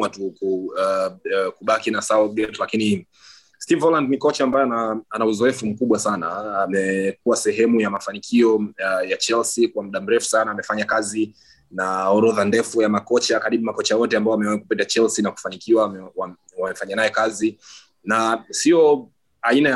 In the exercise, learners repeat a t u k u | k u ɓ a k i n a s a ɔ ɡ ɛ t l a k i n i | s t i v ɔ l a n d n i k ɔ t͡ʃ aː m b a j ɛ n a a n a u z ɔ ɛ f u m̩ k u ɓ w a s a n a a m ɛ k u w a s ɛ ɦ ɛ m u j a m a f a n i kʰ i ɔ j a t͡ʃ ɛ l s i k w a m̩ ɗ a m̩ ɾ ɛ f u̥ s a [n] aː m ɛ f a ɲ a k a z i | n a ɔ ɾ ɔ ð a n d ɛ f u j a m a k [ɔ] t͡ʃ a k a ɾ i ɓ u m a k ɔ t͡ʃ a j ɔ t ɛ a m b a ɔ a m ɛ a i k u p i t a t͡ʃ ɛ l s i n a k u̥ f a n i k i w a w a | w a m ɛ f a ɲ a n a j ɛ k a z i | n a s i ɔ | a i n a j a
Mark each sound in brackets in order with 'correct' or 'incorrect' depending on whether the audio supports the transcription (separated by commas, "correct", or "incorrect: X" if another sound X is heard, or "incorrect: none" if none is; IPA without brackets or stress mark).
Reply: correct, correct